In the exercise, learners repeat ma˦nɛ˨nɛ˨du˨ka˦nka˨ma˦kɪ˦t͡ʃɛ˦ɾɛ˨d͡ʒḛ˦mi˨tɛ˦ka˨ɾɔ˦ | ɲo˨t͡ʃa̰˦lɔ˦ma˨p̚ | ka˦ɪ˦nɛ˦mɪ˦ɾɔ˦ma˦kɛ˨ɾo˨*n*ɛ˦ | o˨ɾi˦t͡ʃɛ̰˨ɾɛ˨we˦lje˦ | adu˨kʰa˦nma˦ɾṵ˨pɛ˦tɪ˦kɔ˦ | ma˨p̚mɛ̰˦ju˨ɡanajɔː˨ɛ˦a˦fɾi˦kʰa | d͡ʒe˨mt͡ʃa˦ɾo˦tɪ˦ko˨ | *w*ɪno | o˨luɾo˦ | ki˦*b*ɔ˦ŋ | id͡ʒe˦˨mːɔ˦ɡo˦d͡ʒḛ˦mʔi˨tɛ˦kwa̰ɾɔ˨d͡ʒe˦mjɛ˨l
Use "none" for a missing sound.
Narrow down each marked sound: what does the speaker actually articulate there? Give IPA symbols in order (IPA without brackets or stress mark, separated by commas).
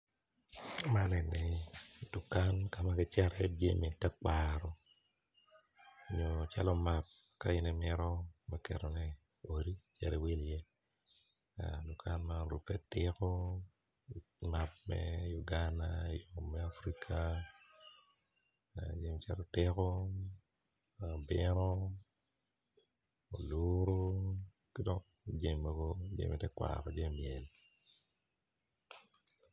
n, b, d